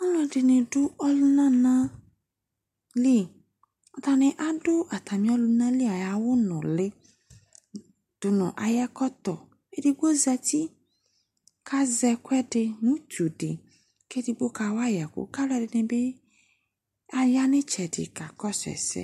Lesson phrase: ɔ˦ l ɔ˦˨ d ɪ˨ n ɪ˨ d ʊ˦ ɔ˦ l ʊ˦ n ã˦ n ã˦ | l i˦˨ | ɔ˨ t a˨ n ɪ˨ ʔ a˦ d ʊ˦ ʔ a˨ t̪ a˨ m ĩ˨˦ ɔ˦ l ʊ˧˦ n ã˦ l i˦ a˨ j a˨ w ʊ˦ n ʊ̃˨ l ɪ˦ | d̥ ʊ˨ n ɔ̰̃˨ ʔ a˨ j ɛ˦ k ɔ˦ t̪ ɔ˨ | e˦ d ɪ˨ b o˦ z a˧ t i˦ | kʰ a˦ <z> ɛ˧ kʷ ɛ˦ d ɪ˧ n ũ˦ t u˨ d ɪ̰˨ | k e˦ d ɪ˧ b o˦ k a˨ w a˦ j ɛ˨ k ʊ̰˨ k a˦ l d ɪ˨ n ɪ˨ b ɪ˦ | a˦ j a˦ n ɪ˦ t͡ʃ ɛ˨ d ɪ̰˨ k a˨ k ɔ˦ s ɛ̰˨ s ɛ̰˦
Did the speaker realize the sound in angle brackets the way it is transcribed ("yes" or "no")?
yes